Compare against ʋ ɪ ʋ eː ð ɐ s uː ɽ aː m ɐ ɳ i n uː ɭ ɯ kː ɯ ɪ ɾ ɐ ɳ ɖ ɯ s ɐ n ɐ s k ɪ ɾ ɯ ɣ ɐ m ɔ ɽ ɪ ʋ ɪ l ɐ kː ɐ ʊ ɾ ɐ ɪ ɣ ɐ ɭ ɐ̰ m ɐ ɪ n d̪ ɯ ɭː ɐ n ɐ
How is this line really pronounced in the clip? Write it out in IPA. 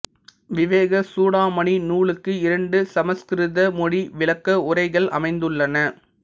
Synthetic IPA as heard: ʋ ɪ ʋ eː ɣ ɐ s uː ɽ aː m ɐ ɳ i n uː ɭ ɯ kː ɯ ɪ ɾ ɐ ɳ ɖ ɯ s ɐ m ɐ s k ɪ ɾ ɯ ð ɐ m ɔ ɽ i ʋ ɪ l ɐ kː ɐ ʊ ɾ ɐ ɪ ɣ ɐ ɭ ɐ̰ m ɐ ɪ n d̪ ɯ ɭː ɐ n ɐ